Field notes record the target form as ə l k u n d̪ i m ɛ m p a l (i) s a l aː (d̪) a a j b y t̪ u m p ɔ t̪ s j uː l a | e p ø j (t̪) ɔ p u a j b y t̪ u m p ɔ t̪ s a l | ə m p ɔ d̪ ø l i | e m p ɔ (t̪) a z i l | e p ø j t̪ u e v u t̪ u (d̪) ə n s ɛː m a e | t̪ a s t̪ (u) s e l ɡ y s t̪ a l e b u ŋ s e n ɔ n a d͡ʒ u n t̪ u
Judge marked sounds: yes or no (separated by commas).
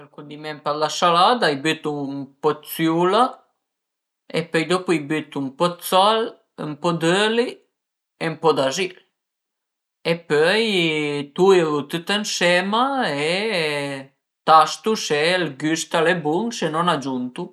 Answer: no, yes, no, no, no, yes